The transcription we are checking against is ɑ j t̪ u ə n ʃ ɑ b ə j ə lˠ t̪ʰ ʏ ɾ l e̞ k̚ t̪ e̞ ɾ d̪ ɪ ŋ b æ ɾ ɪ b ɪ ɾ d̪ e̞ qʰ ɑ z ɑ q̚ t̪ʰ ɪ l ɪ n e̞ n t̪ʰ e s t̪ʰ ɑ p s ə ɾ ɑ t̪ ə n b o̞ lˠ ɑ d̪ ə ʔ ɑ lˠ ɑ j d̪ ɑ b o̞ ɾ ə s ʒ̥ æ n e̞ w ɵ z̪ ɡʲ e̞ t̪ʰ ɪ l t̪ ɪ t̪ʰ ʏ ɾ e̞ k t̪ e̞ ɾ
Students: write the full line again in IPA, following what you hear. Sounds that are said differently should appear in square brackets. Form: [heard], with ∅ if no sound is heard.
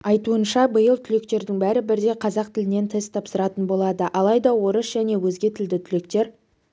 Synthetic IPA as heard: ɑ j t̪ u ə n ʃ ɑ b ə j ə lˠ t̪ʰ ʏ [∅] l e̞ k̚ t̪ e̞ ɾ d̪ ɪ ŋ b æ ɾ ɪ b ɪ ɾ d̪ e̞ qʰ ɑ z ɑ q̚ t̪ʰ ɪ l ɪ n e̞ n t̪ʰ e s t̪ʰ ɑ p s ə ɾ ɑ t̪ ə n b o̞ lˠ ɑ d̪ ə ʔ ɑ lˠ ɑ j d̪ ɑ [w] o̞ ɾ ə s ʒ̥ æ n e̞ w ɵ z̪ ɡʲ e̞ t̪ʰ ɪ l [d̪] ɪ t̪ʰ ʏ [l] e̞ k t̪ e̞ ɾ